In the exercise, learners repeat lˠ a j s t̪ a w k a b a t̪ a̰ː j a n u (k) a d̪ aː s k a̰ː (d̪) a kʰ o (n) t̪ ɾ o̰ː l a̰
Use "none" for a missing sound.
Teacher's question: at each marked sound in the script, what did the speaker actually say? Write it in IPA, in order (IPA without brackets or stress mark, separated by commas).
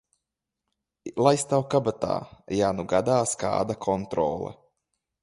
ɡ, d̪, n